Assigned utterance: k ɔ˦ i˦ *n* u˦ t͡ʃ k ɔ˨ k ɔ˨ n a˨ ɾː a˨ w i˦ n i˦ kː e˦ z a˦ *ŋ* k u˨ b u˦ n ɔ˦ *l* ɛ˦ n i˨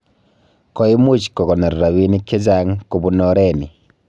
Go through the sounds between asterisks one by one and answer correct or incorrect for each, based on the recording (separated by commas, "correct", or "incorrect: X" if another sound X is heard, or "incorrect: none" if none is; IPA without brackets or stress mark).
incorrect: m, correct, incorrect: ɾ